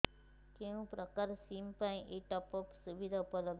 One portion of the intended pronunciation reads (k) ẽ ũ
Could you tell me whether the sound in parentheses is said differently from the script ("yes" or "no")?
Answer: no